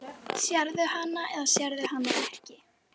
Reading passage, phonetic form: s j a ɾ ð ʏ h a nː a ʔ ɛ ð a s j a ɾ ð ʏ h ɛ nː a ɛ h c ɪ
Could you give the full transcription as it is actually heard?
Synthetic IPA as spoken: s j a ɾ ð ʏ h a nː a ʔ ɛ ð a s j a ɾ ð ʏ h a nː a ɛ h c ɪ